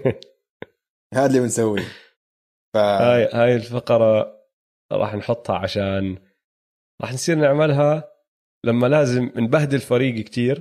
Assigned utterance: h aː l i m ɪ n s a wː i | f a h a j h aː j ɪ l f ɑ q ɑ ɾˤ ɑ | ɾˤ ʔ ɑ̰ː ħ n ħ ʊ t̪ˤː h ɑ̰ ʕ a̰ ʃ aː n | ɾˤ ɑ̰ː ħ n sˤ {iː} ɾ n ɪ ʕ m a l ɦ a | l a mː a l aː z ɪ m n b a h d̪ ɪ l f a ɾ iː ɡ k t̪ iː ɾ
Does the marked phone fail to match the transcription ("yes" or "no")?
no